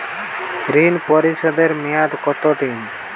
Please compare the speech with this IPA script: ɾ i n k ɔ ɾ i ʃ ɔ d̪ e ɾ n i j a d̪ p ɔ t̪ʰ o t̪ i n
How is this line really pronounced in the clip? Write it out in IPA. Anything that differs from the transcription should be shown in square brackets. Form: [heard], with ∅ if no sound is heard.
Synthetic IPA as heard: ɾ i n [p] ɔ ɾ i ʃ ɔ d̪ e ɾ [m] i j a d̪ [k] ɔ [t̪] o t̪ i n